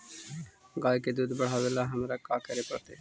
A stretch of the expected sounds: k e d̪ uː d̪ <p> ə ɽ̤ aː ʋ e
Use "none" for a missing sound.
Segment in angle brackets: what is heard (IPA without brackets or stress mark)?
b